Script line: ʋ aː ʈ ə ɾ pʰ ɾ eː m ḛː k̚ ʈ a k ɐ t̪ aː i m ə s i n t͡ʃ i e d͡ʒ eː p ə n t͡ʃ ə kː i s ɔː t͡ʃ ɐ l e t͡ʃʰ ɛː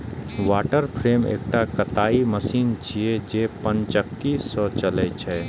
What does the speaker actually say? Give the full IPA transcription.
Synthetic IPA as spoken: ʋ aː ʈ ə ɾ pʰ ɾ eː m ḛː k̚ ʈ a k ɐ t̪ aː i m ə s iː n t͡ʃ i e d͡ʒ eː p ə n t͡ʃ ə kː i s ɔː t͡ʃ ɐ l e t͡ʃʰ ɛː

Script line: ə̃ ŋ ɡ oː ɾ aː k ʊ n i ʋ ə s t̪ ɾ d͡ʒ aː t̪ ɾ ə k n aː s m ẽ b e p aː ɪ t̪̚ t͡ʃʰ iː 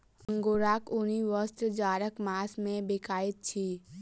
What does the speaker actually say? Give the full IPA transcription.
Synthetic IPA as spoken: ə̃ ŋ ɡ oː ɾ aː k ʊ n i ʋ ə s t̪ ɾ d͡ʒ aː ɾ ə k m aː s m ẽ b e k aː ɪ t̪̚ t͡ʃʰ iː

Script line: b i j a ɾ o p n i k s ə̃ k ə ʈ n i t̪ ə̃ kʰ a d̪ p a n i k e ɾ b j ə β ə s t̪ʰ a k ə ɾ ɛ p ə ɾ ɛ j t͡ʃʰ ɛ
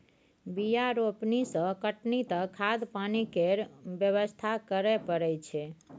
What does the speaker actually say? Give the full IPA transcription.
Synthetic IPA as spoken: b i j a ɾ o p n i s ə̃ k ə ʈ n i t̪ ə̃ kʰ a d̪ p a n i k e ɾ b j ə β ə s t̪ʰ a k ə ɾ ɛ p ə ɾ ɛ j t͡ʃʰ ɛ

